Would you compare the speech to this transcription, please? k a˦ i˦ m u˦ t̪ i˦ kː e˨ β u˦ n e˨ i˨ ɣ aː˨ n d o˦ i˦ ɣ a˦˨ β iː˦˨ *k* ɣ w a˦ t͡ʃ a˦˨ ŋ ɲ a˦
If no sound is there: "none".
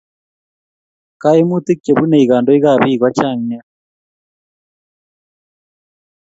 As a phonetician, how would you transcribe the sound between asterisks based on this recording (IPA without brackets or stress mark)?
none